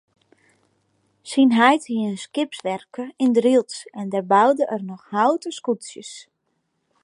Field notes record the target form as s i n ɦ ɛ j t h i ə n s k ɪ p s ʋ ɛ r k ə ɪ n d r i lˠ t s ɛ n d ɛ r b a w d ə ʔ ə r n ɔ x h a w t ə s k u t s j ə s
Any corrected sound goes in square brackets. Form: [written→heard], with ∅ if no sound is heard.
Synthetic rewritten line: s i n ɦ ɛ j t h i ə n s k ɪ p s ʋ ɛ r k ə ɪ n d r i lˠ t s ɛ n d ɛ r b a w d ə ʔ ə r n ɔ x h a w t ə s k u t s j ə s